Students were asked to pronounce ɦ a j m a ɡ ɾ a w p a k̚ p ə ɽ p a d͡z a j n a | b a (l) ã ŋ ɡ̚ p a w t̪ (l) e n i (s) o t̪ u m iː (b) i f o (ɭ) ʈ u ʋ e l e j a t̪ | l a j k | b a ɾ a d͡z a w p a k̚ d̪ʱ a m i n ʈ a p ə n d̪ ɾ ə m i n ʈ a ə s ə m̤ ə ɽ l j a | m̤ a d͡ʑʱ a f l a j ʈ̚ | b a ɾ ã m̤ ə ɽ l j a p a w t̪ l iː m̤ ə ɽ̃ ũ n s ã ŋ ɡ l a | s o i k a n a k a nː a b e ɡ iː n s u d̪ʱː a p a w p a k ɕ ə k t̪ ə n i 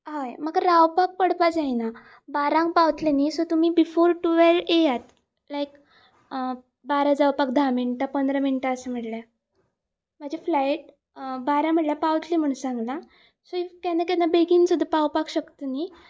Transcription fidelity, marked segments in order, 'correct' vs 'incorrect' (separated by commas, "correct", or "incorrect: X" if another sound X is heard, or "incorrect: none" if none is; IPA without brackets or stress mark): incorrect: ɾ, correct, correct, correct, incorrect: ɾ